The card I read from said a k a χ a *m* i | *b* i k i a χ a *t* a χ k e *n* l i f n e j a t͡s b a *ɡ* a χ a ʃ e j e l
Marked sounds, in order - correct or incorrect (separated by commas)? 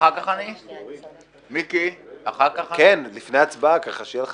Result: incorrect, incorrect, incorrect, correct, incorrect